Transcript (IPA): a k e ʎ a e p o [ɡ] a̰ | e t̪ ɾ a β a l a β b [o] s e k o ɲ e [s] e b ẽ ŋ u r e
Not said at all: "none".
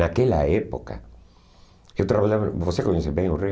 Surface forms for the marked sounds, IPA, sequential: k, o, s

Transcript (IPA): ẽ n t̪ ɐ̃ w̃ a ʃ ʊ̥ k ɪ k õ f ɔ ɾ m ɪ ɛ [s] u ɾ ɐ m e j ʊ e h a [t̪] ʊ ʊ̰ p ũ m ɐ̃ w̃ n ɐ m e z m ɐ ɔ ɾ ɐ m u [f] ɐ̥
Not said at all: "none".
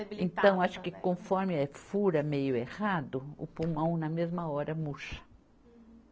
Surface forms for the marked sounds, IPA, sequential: f, d̪, ʃ

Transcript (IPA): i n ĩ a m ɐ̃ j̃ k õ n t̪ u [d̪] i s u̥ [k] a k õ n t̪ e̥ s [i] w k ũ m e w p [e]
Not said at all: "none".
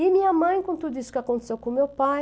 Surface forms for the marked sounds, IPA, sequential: d̪, k, e, a

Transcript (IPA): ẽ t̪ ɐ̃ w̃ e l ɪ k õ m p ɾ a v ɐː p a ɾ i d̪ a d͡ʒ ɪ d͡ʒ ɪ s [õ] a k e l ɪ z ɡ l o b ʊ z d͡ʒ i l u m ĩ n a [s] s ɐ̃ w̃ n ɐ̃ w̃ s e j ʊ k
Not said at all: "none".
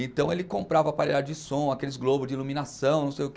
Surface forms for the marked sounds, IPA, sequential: õ, s

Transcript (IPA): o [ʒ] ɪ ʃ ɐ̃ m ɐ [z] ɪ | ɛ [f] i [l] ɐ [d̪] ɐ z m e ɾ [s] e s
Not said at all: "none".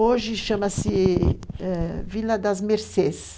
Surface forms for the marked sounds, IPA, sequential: ʒ, s, v, l, d̪, s

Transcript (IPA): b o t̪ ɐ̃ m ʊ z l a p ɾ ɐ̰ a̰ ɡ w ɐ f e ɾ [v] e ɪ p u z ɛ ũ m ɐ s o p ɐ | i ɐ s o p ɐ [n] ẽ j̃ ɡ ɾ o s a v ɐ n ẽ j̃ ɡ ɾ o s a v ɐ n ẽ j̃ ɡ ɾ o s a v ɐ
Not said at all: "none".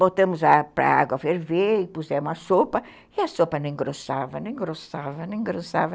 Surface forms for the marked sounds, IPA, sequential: v, n

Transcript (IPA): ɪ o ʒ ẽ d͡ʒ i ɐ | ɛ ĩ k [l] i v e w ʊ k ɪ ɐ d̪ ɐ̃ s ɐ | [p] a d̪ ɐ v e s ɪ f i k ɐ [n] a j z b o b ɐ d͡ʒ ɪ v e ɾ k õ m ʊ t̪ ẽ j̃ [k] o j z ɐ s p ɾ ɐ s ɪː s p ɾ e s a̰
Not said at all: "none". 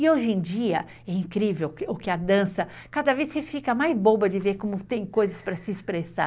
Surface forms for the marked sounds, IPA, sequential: ɾ, k, m, k

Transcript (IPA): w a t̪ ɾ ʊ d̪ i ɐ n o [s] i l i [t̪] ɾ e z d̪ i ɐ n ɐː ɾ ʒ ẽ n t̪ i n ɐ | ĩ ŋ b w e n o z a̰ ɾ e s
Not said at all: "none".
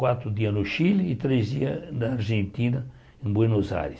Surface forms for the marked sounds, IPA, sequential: ʃ, t̪

